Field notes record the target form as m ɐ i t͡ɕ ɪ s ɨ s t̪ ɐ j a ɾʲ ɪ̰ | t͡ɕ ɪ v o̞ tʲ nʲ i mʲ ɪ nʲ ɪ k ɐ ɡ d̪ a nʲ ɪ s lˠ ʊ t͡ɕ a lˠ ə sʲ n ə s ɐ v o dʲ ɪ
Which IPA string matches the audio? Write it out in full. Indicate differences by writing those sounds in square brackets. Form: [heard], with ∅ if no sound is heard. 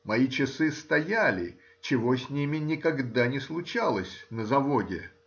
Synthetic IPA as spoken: m ɐ i t͡ɕ ɪ s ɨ s t̪ ɐ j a [lʲ] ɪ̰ | t͡ɕ ɪ v o̞ [sʲ] nʲ i mʲ ɪ nʲ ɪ k ɐ ɡ d̪ a nʲ ɪ s lˠ ʊ t͡ɕ a lˠ ə sʲ n ə [z] ɐ v o dʲ ɪ